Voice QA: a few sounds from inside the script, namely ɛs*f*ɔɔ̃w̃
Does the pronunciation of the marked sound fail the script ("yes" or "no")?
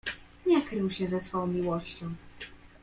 no